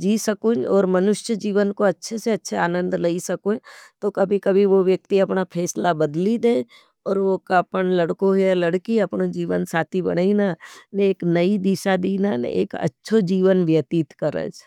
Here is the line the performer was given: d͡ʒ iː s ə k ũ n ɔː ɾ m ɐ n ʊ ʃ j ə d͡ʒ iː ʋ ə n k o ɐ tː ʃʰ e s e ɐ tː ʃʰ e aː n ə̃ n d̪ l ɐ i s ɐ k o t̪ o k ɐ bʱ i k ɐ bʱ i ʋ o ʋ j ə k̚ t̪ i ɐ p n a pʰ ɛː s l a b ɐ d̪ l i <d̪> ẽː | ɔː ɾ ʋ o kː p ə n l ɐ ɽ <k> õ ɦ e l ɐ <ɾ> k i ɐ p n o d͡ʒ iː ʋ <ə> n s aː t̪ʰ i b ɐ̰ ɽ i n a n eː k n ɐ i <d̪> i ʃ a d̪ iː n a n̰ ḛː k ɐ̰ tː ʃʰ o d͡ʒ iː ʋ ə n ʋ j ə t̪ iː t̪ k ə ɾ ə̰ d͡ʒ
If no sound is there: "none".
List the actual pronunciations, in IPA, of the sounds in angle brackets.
d̪, k, ɽ, ə, d̪

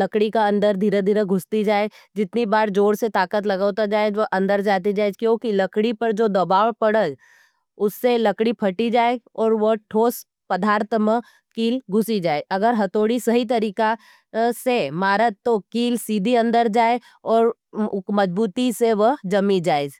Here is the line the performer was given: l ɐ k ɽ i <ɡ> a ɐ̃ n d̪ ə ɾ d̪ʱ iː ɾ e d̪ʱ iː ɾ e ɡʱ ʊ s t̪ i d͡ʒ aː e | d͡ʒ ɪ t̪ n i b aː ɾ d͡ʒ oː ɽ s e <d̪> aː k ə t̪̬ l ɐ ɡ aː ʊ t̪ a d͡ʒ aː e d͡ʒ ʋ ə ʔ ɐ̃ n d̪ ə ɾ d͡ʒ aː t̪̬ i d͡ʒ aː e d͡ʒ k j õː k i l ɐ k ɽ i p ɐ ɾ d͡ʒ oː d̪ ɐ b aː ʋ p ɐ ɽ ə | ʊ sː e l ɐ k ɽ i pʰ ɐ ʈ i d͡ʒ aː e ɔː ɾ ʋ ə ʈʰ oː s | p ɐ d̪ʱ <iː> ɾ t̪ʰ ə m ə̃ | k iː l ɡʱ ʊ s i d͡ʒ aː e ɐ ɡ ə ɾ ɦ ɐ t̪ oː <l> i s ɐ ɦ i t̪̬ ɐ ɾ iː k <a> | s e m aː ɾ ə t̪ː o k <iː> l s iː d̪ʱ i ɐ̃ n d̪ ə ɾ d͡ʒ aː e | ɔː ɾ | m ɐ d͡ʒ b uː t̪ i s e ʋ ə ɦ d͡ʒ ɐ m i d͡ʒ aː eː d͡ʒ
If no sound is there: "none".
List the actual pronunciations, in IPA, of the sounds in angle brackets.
k, t̪, aː, ɽ, a, iː

